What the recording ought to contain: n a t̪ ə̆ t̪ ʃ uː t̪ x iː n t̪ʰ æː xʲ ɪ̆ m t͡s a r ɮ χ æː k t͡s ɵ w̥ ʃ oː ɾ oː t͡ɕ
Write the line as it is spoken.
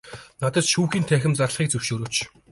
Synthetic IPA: n a t̪ ə̆ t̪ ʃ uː x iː n t̪ʰ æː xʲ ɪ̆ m t͡s a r ɮ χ iː k t͡s ɵ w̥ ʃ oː ɾ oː t͡ɕ